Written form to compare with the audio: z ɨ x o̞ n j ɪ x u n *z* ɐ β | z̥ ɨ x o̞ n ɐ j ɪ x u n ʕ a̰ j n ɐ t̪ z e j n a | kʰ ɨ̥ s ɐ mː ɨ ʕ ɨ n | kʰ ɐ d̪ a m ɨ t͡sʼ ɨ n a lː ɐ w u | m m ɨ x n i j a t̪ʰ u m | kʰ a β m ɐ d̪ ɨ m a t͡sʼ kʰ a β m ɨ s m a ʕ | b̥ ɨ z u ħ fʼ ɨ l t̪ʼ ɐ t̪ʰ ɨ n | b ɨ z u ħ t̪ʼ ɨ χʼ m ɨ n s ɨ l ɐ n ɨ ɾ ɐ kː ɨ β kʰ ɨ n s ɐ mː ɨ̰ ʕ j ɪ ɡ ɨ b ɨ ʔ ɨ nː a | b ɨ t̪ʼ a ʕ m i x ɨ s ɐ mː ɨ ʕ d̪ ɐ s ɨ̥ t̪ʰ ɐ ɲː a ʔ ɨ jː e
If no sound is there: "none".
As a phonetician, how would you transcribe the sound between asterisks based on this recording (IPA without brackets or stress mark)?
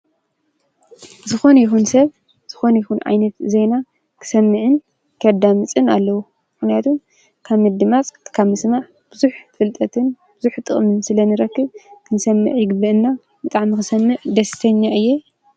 s